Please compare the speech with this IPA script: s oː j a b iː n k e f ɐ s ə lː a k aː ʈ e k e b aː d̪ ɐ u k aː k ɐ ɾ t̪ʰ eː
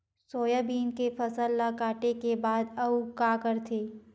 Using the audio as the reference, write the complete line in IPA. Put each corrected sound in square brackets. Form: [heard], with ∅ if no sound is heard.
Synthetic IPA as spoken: s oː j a b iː n k e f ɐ s ə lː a k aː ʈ e k e b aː d̪ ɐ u k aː k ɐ ɾ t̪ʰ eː